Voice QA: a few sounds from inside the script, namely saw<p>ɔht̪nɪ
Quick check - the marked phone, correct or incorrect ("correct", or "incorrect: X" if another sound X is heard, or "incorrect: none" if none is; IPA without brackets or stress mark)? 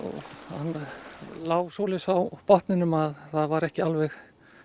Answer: correct